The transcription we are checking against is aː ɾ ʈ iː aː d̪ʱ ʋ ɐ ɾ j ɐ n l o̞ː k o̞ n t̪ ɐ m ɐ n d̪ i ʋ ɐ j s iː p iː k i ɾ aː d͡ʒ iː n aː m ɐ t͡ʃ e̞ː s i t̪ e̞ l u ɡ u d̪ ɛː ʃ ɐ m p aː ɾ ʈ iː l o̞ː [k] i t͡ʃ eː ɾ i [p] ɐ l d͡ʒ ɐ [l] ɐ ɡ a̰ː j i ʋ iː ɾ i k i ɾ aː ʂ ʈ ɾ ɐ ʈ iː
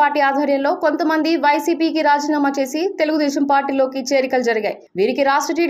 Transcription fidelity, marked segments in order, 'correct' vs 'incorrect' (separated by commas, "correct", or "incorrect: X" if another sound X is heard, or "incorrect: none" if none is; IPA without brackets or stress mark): correct, incorrect: k, incorrect: ɾ